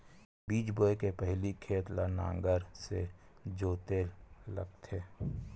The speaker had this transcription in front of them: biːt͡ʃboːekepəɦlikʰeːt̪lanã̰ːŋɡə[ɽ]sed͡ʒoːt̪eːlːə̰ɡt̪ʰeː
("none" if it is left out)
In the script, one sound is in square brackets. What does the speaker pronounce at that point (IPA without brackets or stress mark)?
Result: ɾ